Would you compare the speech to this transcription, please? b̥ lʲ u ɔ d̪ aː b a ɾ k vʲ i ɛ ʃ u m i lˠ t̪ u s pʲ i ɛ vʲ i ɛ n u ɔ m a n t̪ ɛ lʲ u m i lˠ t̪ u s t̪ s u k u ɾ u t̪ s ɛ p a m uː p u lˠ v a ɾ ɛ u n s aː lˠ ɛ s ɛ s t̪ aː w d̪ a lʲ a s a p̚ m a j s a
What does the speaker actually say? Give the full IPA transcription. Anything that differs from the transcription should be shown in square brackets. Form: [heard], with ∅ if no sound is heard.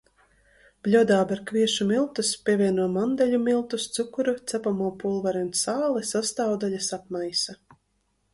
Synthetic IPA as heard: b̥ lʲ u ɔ d̪ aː b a ɾ k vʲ i ɛ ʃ u m i lˠ t̪ u s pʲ i ɛ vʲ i ɛ n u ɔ m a n [d̪] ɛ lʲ u m i lˠ t̪ u s t̪ s u k u ɾ u t̪ s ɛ p a m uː p u lˠ v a ɾ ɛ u n s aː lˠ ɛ s [a] s t̪ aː w d̪ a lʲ a s a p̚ m a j s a